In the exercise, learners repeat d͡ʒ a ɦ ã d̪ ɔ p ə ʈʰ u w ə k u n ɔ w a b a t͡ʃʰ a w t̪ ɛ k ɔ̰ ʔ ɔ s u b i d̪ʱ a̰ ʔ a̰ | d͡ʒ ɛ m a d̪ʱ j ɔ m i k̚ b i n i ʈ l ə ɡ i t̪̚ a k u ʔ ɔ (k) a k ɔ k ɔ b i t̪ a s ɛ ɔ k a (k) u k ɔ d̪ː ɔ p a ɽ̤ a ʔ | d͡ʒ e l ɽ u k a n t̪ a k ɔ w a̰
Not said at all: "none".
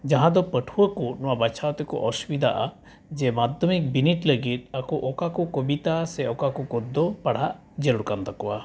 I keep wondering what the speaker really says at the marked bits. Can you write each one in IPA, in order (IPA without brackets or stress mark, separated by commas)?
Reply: k, k